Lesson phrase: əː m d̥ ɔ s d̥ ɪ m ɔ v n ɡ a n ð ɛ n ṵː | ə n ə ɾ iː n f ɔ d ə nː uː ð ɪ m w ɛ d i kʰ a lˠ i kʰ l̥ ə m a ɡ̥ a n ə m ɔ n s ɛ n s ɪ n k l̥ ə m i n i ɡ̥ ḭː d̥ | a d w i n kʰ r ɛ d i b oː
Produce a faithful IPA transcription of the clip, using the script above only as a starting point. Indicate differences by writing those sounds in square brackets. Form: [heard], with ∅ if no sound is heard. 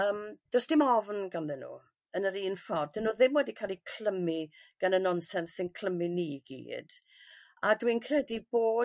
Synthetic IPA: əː m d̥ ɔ s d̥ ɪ m ɔ v n ɡ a n ð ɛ n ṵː | ə n ə ɾ iː n f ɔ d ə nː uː ð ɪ m w ɛ d i kʰ a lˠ i kʰ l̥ ə m [i] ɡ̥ a n ə [n] ɔ n s ɛ n s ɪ n [kʰ] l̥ ə m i n i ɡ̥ ḭː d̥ | a d w i n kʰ r ɛ d i b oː